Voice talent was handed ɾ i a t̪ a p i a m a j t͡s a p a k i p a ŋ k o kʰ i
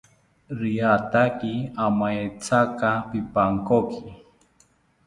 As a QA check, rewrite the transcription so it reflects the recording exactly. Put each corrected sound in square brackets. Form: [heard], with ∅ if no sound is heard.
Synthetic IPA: ɾ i a t̪ a [k] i a m a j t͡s a [k] a [p] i p a ŋ k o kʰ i